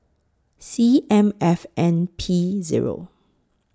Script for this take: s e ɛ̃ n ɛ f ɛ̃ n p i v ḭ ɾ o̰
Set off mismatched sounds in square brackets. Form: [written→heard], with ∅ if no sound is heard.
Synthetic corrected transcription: s [e→i] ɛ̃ [n→m] ɛ f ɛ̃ n [p→pʰ] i [v→z] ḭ [ɾ→ɹ] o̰

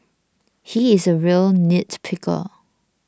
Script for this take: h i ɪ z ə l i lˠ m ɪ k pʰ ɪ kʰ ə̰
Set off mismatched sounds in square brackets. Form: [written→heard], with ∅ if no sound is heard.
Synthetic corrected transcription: h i ɪ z ə [l→ɹ] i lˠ [m→n] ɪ [k→t] pʰ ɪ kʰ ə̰

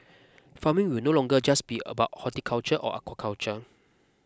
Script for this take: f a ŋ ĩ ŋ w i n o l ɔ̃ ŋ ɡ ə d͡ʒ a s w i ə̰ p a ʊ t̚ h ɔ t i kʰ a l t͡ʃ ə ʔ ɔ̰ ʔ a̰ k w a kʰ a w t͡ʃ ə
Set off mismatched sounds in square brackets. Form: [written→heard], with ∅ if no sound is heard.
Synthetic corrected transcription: f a [ŋ→m] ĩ ŋ w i n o l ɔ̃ ŋ ɡ ə d͡ʒ a s [w→b] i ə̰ [p→b] a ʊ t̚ h ɔ t i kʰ a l t͡ʃ ə ʔ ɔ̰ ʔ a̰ k w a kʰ a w t͡ʃ ə

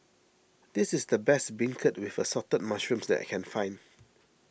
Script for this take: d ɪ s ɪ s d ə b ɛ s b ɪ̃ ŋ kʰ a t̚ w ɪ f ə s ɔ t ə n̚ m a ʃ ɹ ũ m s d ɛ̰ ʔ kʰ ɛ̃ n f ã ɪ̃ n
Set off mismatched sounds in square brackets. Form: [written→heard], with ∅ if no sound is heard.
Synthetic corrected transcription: d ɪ s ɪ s d ə b ɛ s b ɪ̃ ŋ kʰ [a→ə] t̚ w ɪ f ə s ɔ t ə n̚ m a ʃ ɹ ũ m s d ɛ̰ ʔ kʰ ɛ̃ n f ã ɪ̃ n

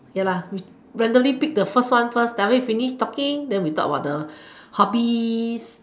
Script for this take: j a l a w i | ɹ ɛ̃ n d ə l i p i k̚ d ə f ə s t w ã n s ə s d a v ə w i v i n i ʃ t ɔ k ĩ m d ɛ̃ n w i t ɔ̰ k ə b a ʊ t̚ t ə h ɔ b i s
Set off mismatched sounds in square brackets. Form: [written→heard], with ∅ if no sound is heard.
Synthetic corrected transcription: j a l a w i | ɹ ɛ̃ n d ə l i p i k̚ d ə f ə s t w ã n [s→f] ə s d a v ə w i [v→f] i n i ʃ t ɔ k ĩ [m→ŋ] d ɛ̃ n w i t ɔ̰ k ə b a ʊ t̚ [t→d] ə h ɔ b i s

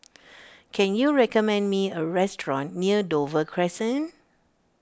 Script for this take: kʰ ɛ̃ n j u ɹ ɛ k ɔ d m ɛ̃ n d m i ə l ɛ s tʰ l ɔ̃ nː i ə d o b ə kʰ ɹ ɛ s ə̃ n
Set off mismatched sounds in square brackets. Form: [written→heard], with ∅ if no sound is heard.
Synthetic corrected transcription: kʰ ɛ̃ n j u ɹ ɛ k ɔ [d→∅] m ɛ̃ n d m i ə [l→ɹ] ɛ s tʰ [l→ɹ] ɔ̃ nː i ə d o [b→v] ə kʰ ɹ ɛ s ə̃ n

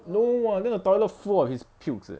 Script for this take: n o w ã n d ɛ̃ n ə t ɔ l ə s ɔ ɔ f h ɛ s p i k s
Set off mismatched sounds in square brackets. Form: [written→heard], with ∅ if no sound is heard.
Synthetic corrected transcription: n o w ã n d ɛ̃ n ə t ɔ l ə [s→f] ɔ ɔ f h [ɛ→i] s [p→pʰ] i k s

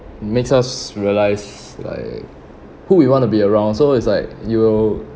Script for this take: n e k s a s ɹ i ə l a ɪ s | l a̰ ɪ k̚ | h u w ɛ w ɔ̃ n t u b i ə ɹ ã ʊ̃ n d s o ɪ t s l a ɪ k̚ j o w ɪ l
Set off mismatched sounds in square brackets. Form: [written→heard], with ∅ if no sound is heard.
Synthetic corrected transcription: [n→m] e k s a s ɹ i ə l a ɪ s | l a̰ ɪ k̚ | h u w [ɛ→i] w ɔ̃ n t u b i ə ɹ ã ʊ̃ n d s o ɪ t s l a ɪ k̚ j [o→u] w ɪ l

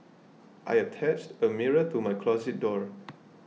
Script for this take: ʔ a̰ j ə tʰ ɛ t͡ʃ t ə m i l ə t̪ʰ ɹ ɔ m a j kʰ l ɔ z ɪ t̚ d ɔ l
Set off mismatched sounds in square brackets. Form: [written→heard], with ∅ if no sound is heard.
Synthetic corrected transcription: ʔ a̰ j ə tʰ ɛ t͡ʃ t ə m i [l→ɹ] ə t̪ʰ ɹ [ɔ→u] m a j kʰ l ɔ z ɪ t̚ d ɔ [l→ɹ]

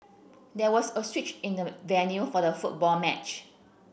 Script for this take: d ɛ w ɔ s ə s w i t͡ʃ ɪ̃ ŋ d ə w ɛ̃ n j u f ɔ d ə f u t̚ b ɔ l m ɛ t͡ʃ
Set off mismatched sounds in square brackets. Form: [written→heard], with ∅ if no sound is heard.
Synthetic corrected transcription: d ɛ w ɔ s ə s w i t͡ʃ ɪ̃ [ŋ→n] d ə [w→v] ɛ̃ n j u f ɔ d ə f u t̚ b ɔ l m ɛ t͡ʃ

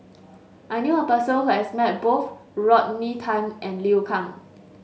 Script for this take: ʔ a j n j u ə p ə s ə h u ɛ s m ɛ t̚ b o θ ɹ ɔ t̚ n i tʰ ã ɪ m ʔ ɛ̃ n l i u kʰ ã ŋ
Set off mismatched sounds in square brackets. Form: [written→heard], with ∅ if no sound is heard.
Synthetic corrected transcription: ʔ a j n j u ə p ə s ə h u ɛ s m ɛ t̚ b o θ ɹ ɔ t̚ n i tʰ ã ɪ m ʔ ɛ̃ n l i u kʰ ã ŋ

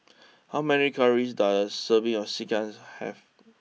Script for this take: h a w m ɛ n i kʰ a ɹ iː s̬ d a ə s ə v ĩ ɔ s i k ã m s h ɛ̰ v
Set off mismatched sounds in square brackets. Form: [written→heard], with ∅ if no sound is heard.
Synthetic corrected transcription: h a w m ɛ n i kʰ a ɹ [iː→i] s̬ d a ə s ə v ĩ ɔ s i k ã [m→n] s h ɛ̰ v

